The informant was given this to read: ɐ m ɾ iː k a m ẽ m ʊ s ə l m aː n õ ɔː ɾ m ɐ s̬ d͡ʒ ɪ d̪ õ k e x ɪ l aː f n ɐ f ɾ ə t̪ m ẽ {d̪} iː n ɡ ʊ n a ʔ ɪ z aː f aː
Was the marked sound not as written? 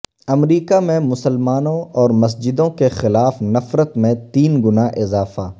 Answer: yes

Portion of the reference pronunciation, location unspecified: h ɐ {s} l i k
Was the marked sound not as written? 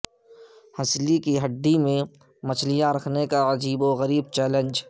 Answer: no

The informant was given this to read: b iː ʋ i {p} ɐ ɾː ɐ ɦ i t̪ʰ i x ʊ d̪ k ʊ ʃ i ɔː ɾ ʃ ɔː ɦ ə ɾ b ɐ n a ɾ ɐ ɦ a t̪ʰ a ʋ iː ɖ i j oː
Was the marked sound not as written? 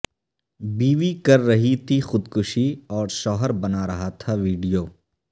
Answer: yes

